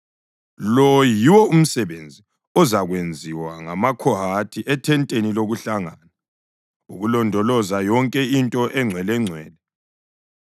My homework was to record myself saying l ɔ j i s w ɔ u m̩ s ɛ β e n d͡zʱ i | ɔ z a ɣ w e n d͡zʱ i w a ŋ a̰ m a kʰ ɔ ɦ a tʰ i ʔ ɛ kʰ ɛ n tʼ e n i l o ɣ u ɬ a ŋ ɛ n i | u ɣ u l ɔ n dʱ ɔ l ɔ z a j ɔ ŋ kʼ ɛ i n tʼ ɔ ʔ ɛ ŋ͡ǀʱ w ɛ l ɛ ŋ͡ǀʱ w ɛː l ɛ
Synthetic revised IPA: l ɔ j i w ɔ u m̩ s ɛ β e n d͡zʱ i | ɔ z a ɣ w e n d͡zʱ i w a ŋ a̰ m a kʰ ɔ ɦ a tʰ i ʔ ɛ tʰ ɛ n tʼ e n i l o ɣ u ɬ a ŋ a n a | u ɣ u l ɔ n dʱ ɔ l ɔ z a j ɔ ŋ kʼ ɛ i n tʼ ɔ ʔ ɛ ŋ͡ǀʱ w ɛ l ɛ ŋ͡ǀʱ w ɛː l ɛ

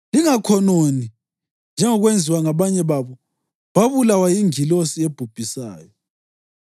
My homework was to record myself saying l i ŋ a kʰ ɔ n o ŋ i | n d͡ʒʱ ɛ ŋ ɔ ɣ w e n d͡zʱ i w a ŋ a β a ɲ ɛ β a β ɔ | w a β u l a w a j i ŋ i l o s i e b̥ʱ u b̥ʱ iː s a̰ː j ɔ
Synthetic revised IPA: l i ŋ a kʰ ɔ n o n i | n d͡ʒʱ ɛ ŋ ɔ ɣ w e n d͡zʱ i w a ŋ a β a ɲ ɛ β a β ɔ | β a β u l a w a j i ŋ i l o s i e b̥ʱ u b̥ʱ i s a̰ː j ɔ

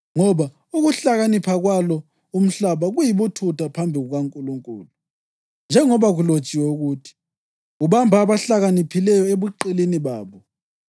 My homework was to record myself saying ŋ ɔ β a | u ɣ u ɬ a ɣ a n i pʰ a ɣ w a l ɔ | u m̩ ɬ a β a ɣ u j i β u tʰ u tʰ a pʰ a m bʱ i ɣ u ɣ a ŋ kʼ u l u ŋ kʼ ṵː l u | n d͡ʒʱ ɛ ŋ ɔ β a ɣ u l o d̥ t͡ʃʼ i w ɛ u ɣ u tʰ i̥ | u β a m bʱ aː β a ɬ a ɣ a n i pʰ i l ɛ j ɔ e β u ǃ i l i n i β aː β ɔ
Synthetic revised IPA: ŋ ɔ β a | u ɣ u ɬ a ɣ a n i pʰ a ɣ w a l ɔ | u m̩ ɬ a β a ɣ u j i β u tʰ u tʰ a pʰ a m bʱ i ɣ u ɣ a ŋ kʼ u l u ŋ kʼ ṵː l u | n d͡ʒʱ ɛ ŋ ɔ β a ɣ u l o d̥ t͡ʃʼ i w ɛ u ɣ u tʰ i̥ | u β a m bʱ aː β a ɬ a ɣ a n i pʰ i l ɛ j ɔ e β u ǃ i l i n i β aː β ɔ

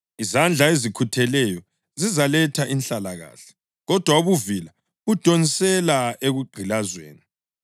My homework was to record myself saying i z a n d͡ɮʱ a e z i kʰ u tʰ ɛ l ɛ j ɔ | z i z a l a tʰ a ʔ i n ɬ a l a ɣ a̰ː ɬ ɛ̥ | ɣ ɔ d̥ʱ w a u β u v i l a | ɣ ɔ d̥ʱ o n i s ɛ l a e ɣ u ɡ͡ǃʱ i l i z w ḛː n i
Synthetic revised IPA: i z a n d͡ɮʱ a e z i kʰ u tʰ ɛ l ɛ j ɔ | z i z a l ɛ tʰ a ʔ i n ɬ a l a ɣ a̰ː ɬ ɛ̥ | ɣ ɔ d̥ʱ w a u β u v i l a | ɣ u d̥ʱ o n i s ɛ l a e ɣ u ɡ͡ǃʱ i l a z w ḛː n i

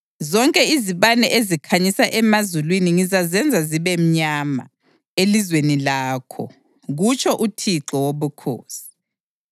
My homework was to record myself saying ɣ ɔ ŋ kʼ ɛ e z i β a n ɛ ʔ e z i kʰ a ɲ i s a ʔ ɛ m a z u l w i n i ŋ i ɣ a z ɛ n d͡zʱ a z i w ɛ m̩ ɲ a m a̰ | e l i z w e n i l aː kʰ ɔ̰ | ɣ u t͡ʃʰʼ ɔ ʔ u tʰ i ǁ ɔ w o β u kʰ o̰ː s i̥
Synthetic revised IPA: z ɔ ŋ kʼ ɛ i z i β a n ɛ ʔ e z i kʰ a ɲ i s a ʔ ɛ m a z u l w i n i ŋ i z a z ɛ n d͡zʱ a z i β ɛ m̩ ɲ a m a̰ | e l i z w e n i l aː kʰ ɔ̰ | ɣ u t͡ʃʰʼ ɔ ʔ u tʰ i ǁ ɔ w o β u kʰ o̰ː s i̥

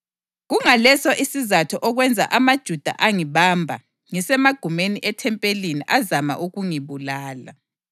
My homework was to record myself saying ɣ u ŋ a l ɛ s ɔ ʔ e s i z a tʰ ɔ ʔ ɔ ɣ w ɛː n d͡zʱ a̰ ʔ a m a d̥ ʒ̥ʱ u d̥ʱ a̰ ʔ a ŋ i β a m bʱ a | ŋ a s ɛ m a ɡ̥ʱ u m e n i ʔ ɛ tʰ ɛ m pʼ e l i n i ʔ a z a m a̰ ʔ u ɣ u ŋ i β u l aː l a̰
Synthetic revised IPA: ɣ u ŋ a l ɛ s ɔ ʔ i s i z a tʰ ɔ ʔ ɔ ɣ w ɛ n d͡zʱ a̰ ʔ a m a d̥ ʒ̥ʱ u d̥ʱ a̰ ʔ a ŋ i β a m bʱ a | ŋ i s ɛ m a ɡ̥ʱ u m e n i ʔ ɛ tʰ ɛ m pʼ e l i n i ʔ a z a m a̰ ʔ u ɣ u ŋ i β u l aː l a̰

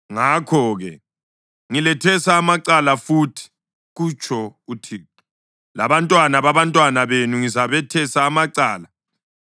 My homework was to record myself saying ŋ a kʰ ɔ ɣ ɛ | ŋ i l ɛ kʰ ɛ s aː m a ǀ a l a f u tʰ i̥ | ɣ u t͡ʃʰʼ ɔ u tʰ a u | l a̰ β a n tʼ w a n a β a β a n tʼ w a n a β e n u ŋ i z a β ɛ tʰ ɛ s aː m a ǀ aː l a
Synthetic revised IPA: ŋ a kʰ ɔ ɣ ɛ | ŋ i l ɛ tʰ ɛ s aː m a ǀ a l a f u tʰ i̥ | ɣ u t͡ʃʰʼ ɔ u tʰ i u | l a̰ β a n tʼ w a n a β a β a n tʼ w a n a β e n u ŋ i z a β ɛ tʰ ɛ s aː m a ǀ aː l a

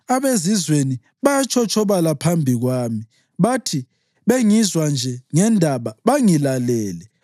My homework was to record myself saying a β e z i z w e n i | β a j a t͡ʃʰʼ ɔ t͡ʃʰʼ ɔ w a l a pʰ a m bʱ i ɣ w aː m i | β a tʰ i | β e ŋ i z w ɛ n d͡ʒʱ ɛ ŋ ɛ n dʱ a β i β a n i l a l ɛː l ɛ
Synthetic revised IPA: a β e z i z w e n i | β a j a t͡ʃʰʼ ɔ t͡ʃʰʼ ɔ β a l a pʰ a m bʱ i ɣ w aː m i | β a tʰ i | β e ŋ i z w a n d͡ʒʱ ɛ ŋ ɛ n dʱ a β a β a ŋ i l a l ɛː l ɛ

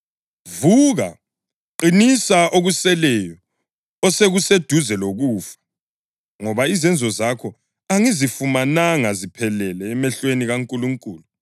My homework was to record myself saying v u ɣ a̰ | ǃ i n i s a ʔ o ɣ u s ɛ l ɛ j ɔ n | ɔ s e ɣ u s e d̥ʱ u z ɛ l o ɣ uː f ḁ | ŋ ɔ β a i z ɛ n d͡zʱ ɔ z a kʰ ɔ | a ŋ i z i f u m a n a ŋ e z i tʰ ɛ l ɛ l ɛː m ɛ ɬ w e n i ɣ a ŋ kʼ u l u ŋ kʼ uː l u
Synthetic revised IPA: v u ɣ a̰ | ǃ i n i s a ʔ o ɣ u s ɛ l ɛ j ɔ | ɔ s e ɣ u s e d̥ʱ u z ɛ l o ɣ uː f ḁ | ŋ ɔ β a i z ɛ n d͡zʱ ɔ z a kʰ ɔ | a ŋ i z i f u m a n a ŋ a z i pʰ ɛ l ɛ l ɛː m ɛ ɬ w e n i ɣ a ŋ kʼ u l u ŋ kʼ uː l u

